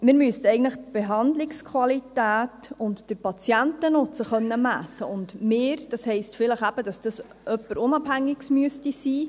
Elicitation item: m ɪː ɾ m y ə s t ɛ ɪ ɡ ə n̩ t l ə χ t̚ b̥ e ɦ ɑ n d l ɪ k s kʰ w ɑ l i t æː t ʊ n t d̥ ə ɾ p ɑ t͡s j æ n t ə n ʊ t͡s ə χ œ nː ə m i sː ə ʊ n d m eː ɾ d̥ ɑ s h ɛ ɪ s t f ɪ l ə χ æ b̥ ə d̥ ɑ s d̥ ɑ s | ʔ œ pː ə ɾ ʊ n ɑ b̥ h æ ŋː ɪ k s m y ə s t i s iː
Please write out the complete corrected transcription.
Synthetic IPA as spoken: m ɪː ɾ m y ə s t ɛ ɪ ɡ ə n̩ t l ə χ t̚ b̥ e ɦ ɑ n d l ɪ k s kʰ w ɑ l i t æː t ʊ n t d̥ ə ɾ p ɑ t͡s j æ n t ə n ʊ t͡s ə χ œ nː ə m æ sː ə ʊ n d m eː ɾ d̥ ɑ s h ɛ ɪ s t f ɪ l ə χ æ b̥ ə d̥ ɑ s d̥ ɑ s | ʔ œ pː ə ɾ ʊ n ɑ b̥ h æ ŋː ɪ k s m y ə s t i s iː